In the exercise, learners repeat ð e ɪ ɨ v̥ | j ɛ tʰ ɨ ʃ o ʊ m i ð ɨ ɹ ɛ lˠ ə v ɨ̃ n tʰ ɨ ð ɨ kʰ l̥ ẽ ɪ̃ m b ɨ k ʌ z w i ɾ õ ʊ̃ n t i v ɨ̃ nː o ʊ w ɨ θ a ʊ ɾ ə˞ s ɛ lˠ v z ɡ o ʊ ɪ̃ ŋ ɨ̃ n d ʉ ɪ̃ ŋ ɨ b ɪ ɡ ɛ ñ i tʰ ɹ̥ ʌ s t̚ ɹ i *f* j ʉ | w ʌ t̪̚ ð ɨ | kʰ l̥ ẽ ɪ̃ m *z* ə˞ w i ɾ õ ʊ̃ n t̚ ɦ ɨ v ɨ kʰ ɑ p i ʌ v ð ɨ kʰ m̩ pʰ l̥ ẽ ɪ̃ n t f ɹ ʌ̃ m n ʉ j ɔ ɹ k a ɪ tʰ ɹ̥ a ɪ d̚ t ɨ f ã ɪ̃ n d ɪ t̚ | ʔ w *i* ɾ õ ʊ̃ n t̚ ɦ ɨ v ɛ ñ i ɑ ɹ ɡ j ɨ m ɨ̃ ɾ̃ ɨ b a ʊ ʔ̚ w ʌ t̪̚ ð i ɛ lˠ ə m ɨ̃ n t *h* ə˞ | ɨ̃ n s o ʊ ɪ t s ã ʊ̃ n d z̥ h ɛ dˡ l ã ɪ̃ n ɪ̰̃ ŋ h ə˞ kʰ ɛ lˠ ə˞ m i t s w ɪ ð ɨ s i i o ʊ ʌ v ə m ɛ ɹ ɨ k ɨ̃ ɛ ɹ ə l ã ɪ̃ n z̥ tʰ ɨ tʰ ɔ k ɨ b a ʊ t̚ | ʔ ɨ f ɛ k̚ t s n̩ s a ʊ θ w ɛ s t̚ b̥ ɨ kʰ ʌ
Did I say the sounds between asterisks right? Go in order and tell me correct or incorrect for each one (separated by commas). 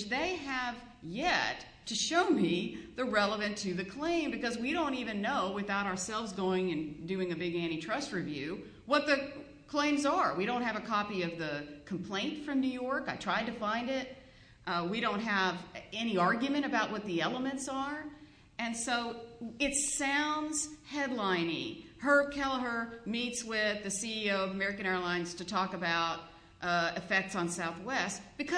incorrect, correct, correct, incorrect